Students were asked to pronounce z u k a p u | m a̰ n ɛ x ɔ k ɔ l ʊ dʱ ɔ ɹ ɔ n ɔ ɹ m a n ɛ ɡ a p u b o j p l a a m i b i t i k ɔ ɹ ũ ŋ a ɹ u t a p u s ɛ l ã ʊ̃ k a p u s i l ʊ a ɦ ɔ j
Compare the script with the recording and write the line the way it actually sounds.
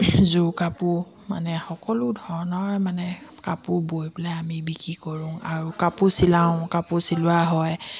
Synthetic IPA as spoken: z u k a p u | m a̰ n ɛ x ɔ k ɔ l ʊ dʱ ɔ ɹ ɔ n ɔ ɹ m a n ɛ k a p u b o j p l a a m i b i k i k ɔ ɹ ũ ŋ a ɹ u k a p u s i l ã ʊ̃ k a p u s i l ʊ a ɦ ɔ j